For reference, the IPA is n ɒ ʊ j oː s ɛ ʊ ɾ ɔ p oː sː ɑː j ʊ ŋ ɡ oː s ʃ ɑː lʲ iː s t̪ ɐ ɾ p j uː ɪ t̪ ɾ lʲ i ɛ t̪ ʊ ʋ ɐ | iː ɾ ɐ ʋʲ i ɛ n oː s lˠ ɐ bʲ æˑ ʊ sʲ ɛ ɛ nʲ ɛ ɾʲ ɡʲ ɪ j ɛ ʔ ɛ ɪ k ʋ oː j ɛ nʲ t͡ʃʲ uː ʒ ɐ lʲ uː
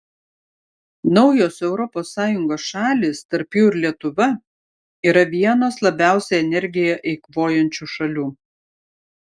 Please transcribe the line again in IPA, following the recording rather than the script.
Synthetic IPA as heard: n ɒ ʊ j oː s ɛ ʊ ɾ ɔ p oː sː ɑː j ʊ ŋ ɡ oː s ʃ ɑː lʲ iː s t̪ ɐ ɾ p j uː ɪ ɾ lʲ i ɛ t̪ ʊ ʋ ɐ | iː ɾ ɐ ʋʲ i ɛ n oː s lˠ ɐ bʲ æˑ ʊ sʲ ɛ ɛ nʲ ɛ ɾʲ ɡʲ ɪ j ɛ ʔ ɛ ɪ k ʋ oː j ɛ nʲ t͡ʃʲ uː ʃ ɐ lʲ uː

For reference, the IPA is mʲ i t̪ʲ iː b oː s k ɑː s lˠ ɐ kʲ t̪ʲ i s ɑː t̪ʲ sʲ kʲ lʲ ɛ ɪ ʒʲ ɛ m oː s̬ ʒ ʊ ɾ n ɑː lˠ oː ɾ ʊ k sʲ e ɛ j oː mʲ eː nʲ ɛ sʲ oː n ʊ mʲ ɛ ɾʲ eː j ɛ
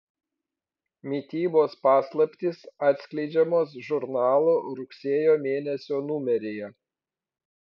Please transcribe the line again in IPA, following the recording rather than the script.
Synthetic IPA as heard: mʲ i t̪ʲ iː b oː s p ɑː s lˠ ɐ pʲ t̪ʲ i s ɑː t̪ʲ sʲ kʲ lʲ ɛ ɪ d͡ʒʲ ɛ m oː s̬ ʒ ʊ ɾ n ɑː lˠ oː ɾ ʊ k sʲ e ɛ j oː mʲ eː nʲ ɛ sʲ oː n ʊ mʲ ɛ ɾʲ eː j ɛ

